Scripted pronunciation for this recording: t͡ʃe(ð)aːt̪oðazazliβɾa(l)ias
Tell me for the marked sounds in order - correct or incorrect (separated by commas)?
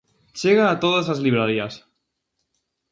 incorrect, incorrect